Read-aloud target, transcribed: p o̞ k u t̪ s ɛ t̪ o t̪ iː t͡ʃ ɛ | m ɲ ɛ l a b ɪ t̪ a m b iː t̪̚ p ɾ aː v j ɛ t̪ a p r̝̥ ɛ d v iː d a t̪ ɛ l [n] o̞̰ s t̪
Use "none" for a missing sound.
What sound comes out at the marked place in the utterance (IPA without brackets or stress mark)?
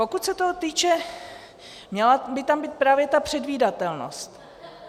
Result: n